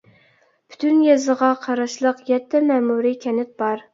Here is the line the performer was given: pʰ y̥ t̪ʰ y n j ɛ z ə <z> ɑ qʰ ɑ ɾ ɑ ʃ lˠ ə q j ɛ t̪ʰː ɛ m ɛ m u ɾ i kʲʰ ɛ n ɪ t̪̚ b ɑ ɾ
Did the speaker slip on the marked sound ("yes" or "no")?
yes